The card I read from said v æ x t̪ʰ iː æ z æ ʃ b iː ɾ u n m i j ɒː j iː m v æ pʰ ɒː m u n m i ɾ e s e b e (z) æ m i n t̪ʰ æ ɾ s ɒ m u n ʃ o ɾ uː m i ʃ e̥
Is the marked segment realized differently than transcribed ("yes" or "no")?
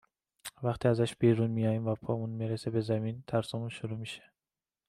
no